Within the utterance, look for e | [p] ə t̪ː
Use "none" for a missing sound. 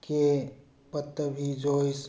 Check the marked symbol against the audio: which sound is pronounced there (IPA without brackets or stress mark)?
p